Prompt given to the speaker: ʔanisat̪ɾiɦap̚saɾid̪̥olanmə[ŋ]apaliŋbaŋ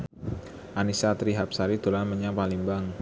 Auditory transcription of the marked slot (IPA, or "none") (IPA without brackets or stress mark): ɲ